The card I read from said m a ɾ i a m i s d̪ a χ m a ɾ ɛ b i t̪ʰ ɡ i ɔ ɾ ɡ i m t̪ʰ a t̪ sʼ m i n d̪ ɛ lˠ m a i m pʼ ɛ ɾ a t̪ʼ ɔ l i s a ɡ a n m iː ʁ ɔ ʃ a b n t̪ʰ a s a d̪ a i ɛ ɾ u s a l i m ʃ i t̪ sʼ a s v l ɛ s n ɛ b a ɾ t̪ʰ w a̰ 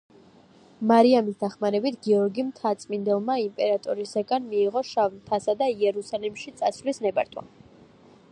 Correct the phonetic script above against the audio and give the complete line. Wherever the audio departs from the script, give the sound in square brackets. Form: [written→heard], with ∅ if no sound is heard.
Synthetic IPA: m a ɾ i a m i s d̪ a χ m a ɾ ɛ b i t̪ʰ ɡ i ɔ ɾ ɡ i m t̪ʰ a t̪ sʼ m i n d̪ ɛ lˠ m a i m pʼ ɛ ɾ a t̪ʼ ɔ [l→ɾ] i s a ɡ a n m iː ʁ ɔ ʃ a [b→v] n t̪ʰ a s a d̪ a i ɛ ɾ u s a l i m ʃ i t̪ sʼ a s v l [ɛ→i] s n ɛ b a ɾ t̪ʰ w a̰